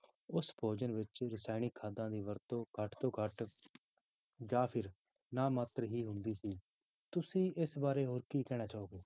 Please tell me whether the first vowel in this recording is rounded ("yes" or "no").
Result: yes